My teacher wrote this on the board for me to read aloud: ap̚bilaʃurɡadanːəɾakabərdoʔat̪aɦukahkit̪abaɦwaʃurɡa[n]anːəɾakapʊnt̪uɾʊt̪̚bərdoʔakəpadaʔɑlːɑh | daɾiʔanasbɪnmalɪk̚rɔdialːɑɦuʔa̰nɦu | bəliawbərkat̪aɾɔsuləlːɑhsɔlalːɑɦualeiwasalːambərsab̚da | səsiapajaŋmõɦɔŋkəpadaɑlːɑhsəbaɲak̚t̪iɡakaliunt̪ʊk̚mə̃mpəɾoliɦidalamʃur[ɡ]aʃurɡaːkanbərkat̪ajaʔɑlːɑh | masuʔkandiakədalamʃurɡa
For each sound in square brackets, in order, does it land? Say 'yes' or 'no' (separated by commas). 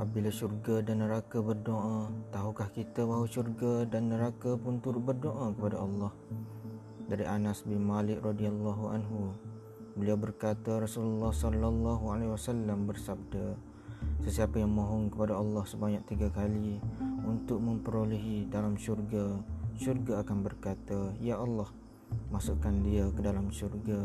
no, yes